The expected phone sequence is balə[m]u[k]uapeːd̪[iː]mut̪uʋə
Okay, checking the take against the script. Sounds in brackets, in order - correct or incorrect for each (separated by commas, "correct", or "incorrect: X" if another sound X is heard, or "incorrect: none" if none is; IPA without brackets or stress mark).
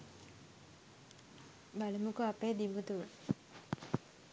correct, correct, incorrect: i